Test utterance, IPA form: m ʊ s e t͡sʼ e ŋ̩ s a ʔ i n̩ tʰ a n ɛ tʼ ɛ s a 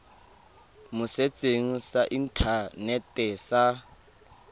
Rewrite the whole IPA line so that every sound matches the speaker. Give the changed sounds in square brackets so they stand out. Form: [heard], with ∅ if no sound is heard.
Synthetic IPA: m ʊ s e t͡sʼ e ŋ̩ s a ʔ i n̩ tʰ a n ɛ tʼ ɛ s a